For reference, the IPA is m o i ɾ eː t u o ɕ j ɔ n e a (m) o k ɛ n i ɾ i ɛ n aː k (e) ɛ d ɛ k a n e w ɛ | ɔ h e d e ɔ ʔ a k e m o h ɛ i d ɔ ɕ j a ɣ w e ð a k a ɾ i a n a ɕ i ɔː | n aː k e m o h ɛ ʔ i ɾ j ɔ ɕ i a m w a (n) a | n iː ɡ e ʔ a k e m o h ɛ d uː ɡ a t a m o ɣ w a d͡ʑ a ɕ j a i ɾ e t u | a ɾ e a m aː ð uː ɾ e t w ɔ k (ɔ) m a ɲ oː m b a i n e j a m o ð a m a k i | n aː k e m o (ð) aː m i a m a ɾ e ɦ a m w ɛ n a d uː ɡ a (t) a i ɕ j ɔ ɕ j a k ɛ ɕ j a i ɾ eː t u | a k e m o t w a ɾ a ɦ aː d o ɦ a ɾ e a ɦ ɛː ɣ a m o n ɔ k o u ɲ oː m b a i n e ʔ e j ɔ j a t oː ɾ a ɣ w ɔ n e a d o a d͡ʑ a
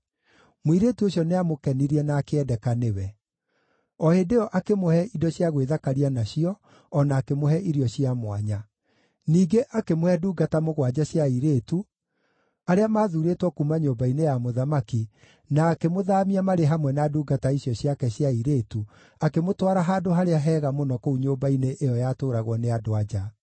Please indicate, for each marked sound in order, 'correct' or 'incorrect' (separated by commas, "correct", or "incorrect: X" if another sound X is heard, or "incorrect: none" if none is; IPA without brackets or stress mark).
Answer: correct, correct, incorrect: ɲ, incorrect: u, correct, correct